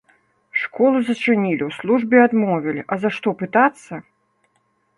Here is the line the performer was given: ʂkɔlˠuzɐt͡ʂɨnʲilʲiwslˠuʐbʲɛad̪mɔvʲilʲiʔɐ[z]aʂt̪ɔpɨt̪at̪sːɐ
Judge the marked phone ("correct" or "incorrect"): correct